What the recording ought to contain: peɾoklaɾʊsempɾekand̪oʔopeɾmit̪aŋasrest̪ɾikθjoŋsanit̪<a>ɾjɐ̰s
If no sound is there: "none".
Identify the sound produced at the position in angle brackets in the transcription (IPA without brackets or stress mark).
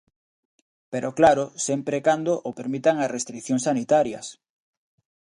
a